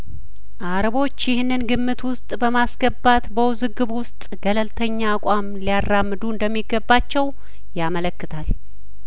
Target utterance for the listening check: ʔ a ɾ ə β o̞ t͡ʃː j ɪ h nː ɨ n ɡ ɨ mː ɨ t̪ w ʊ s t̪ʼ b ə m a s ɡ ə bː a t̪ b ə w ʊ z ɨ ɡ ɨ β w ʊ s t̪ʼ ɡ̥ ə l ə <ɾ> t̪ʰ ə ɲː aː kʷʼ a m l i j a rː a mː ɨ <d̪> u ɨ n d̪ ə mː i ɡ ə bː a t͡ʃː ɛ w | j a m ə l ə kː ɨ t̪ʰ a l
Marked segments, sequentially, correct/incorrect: incorrect, correct

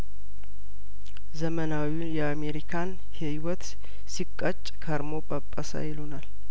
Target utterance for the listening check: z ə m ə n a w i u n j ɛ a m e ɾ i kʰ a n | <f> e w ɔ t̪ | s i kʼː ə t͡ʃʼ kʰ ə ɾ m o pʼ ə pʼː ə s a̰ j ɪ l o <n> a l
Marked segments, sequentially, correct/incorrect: incorrect, correct

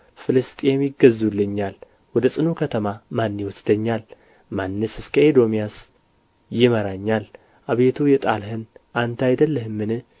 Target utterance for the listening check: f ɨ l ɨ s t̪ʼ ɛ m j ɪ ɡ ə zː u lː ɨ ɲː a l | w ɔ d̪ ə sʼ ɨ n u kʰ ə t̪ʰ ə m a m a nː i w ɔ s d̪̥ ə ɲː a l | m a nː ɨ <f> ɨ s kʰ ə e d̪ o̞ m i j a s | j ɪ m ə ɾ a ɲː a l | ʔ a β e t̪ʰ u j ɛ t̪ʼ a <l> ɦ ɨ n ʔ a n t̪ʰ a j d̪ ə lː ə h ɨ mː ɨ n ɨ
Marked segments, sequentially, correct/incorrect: incorrect, correct

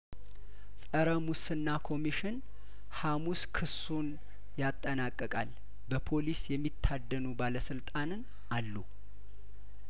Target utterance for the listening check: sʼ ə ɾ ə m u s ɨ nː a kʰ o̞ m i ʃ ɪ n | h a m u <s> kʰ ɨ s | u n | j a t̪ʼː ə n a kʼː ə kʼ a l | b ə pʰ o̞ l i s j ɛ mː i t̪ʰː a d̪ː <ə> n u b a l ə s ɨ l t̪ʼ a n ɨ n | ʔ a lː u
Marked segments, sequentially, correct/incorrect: correct, correct

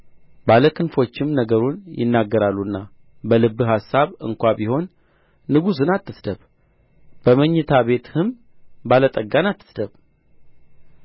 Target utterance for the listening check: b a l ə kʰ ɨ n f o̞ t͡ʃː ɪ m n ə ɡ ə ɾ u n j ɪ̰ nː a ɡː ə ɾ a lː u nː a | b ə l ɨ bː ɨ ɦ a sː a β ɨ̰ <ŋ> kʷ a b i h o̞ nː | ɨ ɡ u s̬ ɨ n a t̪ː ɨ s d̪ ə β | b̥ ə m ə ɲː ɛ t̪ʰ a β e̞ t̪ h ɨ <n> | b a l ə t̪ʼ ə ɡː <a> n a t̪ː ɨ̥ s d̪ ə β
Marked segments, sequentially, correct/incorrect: correct, incorrect, correct

